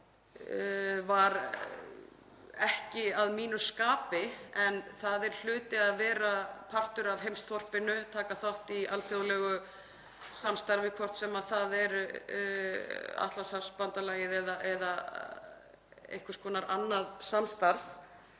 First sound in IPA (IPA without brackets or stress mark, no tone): v